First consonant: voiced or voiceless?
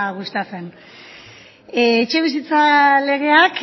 voiced